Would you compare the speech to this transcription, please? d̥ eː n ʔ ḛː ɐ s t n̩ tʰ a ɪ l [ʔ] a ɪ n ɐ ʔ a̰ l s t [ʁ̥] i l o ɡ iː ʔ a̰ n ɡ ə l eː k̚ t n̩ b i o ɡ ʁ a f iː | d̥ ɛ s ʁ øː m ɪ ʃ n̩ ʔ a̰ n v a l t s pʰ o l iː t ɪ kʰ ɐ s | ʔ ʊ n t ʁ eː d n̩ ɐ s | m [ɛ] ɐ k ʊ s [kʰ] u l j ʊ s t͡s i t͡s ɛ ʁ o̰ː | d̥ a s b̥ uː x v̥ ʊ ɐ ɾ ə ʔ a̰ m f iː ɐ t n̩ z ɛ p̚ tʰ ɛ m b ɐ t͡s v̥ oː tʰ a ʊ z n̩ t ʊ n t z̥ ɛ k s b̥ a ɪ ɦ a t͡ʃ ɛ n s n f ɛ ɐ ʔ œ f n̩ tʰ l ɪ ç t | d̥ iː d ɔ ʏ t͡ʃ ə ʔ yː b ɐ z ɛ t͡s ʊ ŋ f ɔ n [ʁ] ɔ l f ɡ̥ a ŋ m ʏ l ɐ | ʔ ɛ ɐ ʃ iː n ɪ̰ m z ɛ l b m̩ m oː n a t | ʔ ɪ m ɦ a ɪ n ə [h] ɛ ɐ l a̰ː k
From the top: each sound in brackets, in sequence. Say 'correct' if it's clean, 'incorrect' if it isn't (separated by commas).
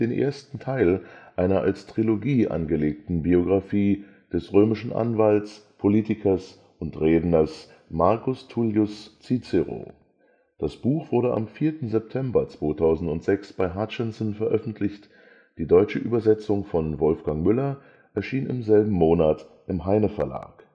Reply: correct, correct, incorrect, incorrect, incorrect, incorrect